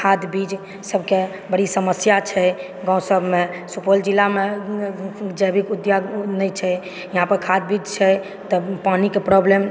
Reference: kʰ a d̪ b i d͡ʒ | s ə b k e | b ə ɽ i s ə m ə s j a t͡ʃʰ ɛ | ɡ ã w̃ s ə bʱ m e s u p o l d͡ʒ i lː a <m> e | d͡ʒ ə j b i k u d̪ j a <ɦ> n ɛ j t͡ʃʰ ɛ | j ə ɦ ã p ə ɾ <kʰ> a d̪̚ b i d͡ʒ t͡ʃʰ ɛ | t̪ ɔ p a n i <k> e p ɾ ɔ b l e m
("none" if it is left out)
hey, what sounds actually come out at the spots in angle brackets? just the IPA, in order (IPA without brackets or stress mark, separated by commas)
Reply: m, none, kʰ, k